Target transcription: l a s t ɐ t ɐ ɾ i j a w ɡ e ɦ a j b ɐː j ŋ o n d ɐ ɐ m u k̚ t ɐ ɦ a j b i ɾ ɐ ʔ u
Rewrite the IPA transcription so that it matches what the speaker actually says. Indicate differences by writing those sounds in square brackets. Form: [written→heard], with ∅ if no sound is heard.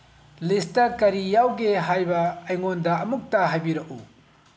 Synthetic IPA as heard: l [a→i] s t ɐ [t→k] ɐ ɾ i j a w ɡ e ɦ a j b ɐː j ŋ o n d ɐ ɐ m u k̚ t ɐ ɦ a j b i ɾ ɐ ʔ u